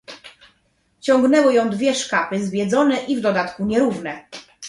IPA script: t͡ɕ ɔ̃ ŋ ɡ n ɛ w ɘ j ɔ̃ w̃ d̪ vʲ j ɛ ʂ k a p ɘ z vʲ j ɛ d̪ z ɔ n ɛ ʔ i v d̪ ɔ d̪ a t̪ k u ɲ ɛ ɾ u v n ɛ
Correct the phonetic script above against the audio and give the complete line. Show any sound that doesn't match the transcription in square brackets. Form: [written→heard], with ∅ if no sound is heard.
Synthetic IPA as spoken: t͡ɕ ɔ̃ ŋ ɡ n ɛ w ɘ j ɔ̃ w̃ d̪ vʲ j ɛ ʂ k a p ɘ z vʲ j ɛ d̪ z ɔ n ɛ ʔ i v d̪ ɔ d̪ a t̪ k u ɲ ɛ ɾ u v n ɛ